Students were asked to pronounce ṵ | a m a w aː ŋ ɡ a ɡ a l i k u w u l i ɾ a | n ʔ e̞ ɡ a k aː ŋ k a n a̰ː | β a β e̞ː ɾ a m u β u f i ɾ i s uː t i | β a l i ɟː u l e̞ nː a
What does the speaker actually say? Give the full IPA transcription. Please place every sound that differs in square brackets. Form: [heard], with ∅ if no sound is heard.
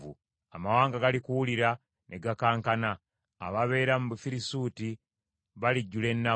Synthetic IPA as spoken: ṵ | a m a w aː ŋ ɡ a ɡ a l i k u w u l i ɾ a | n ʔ e̞ ɡ a k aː ŋ k a n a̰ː | β a β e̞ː ɾ a m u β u f i ɾ i s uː t i | β a l i ɟː u l e̞ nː a